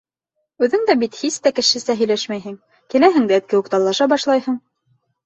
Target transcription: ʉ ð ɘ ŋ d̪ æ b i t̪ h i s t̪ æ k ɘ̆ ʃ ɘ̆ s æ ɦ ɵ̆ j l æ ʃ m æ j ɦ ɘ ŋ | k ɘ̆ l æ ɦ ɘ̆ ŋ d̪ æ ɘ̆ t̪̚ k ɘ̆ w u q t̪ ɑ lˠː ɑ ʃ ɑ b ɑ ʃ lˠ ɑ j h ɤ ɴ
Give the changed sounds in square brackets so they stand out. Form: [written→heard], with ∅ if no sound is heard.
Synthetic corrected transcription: ʉ ð ɘ ŋ d̪ æ b i t̪ h i s t̪ æ k ɘ̆ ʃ ɘ̆ s æ ɦ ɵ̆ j l æ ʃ m æ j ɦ ɘ ŋ | k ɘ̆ l æ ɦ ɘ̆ ŋ d̪ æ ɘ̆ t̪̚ k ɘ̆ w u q t̪ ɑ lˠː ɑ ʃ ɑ b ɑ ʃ lˠ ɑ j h ɤ ɴ